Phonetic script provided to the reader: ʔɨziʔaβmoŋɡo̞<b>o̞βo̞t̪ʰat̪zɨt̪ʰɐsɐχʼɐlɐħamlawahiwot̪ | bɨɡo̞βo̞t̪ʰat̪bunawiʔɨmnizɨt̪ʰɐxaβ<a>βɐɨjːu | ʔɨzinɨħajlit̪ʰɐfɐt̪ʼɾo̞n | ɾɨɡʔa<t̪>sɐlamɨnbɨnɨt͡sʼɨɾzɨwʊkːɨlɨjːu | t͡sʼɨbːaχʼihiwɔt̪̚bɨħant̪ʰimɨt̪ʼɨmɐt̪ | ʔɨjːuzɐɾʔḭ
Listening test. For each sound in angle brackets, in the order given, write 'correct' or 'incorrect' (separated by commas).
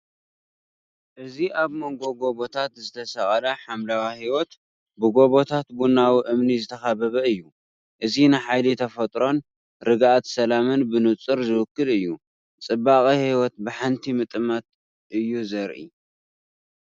incorrect, incorrect, correct